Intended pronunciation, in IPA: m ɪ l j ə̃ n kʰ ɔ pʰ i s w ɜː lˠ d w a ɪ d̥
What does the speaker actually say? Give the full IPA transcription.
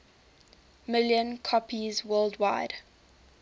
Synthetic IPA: m ɪ l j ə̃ n kʰ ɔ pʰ i z w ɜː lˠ d w a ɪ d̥

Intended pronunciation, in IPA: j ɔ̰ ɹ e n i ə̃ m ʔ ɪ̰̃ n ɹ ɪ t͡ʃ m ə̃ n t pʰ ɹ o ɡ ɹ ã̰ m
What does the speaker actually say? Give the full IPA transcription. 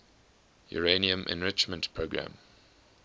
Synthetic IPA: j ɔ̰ ɹ e n i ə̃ m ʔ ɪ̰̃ n ɹ ɪ t͡ʃ m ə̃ n t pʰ ɹ o ɡ ɹ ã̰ m

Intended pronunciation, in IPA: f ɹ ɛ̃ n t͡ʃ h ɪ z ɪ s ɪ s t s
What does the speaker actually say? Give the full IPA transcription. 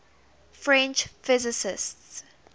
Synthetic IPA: f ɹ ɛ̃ n t͡ʃ f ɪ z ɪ s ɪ s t s

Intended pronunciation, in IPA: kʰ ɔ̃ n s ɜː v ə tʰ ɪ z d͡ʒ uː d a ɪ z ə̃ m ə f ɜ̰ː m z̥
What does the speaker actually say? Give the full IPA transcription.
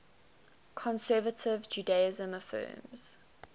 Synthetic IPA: kʰ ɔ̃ n s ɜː v ə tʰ ɪ v d͡ʒ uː d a ɪ z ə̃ m ə f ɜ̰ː m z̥

